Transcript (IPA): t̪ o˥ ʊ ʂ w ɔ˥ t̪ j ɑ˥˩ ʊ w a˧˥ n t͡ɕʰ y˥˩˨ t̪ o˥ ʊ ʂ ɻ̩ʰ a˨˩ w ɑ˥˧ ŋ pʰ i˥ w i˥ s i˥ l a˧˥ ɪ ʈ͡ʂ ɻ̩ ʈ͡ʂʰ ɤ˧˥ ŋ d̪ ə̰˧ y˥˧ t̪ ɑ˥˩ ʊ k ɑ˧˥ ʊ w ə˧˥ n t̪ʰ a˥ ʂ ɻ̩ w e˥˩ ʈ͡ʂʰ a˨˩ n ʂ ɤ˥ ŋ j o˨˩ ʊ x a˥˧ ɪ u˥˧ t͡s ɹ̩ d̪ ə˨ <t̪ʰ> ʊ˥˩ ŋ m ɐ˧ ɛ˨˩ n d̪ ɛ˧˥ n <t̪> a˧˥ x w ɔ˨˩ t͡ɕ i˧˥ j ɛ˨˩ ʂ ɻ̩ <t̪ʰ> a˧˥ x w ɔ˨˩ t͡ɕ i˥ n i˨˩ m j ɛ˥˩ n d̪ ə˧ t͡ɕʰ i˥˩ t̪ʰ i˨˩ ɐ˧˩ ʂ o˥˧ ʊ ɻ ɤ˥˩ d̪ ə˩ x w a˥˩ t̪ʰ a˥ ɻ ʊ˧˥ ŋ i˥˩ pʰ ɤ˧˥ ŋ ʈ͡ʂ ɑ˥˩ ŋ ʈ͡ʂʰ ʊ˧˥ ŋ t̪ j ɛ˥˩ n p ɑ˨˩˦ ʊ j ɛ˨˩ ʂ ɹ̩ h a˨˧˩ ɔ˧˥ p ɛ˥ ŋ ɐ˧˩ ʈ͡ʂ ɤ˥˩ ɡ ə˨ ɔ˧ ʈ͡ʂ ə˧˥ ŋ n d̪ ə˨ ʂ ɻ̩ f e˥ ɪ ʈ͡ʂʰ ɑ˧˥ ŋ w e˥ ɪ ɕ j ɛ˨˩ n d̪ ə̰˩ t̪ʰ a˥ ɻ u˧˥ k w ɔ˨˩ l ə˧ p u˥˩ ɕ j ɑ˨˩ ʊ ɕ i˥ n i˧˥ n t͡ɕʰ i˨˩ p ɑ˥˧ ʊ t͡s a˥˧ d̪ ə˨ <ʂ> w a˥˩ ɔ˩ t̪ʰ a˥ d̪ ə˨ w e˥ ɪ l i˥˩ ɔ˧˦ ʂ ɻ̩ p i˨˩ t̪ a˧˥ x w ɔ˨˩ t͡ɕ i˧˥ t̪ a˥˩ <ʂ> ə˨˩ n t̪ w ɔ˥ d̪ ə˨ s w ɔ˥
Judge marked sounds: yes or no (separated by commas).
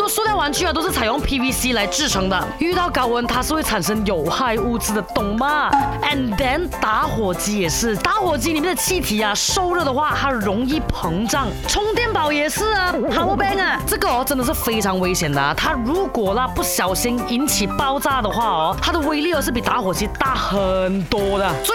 no, yes, no, no, no